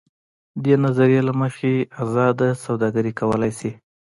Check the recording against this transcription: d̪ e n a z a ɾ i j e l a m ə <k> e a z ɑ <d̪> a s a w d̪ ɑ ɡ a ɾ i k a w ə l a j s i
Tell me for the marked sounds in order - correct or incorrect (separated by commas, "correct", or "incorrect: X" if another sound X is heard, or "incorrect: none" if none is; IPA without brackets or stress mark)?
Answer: incorrect: x, correct